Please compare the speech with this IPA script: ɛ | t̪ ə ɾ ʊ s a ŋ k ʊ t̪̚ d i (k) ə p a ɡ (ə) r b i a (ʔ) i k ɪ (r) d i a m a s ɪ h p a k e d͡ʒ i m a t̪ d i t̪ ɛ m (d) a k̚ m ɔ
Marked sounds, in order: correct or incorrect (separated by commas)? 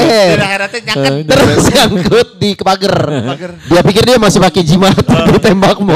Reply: correct, correct, incorrect, correct, incorrect